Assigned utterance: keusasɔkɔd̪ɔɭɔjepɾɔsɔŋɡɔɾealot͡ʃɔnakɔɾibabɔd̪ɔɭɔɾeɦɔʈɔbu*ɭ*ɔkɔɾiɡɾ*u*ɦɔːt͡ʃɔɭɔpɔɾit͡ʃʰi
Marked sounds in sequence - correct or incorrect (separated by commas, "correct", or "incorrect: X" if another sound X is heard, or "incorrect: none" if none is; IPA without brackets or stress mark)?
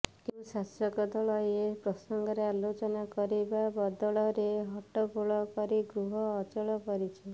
correct, correct